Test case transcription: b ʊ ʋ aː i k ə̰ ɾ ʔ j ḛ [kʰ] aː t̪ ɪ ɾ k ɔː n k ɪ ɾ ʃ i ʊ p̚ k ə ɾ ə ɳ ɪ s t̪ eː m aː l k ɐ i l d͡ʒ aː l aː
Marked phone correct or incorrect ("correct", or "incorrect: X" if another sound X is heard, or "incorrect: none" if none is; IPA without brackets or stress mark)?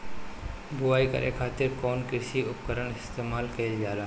correct